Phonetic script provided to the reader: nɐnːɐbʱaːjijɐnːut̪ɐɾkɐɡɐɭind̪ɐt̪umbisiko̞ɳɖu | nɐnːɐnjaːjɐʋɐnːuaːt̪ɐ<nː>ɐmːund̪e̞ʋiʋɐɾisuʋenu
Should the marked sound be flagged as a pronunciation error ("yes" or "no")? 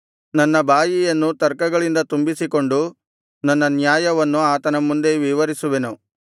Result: yes